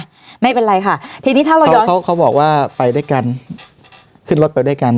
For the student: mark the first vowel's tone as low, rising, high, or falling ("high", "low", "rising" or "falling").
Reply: falling